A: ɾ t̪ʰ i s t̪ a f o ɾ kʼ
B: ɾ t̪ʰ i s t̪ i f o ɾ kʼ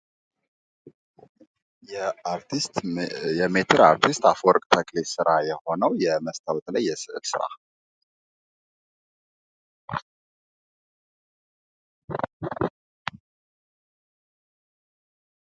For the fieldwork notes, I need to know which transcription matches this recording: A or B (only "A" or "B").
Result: A